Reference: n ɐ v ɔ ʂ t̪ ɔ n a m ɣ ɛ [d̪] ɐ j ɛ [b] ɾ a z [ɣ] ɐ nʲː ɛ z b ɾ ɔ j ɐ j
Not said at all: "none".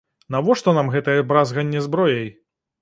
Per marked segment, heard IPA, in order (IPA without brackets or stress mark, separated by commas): t̪, b, ɣ